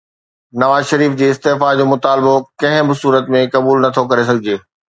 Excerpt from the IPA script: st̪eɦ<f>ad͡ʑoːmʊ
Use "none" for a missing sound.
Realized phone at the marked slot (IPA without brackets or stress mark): f